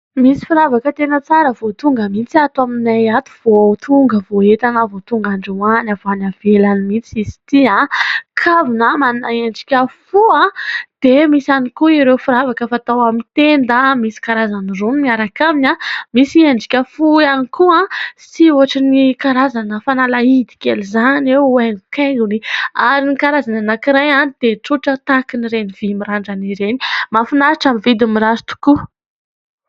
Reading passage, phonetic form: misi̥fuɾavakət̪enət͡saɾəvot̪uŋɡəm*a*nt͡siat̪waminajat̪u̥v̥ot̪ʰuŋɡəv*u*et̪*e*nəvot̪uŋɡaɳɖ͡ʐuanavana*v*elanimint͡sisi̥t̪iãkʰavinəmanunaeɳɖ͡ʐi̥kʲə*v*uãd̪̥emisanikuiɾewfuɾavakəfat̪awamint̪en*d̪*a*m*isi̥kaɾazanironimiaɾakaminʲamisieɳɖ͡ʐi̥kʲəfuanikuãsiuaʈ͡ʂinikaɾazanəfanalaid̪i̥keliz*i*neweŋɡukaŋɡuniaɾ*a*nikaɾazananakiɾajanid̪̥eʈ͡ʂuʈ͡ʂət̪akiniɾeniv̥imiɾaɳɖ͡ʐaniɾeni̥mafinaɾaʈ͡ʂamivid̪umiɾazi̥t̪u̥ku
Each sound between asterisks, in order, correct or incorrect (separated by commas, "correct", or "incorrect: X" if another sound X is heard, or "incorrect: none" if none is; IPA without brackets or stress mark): incorrect: i, incorrect: o, incorrect: a, correct, incorrect: f, correct, correct, incorrect: a, incorrect: i